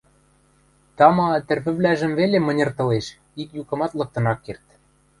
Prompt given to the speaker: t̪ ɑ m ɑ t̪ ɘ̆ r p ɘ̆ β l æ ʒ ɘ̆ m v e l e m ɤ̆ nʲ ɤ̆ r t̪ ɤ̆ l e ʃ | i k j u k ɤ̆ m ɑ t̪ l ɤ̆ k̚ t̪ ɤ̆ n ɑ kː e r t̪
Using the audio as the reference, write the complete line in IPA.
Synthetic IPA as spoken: t̪ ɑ m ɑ t̪ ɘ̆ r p ɘ̆ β l æ ʒ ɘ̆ m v e l e m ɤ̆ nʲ ɤ̆ r t̪ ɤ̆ l e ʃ | i k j u k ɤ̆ m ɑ t̪ l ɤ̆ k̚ t̪ ɤ̆ n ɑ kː e r t̪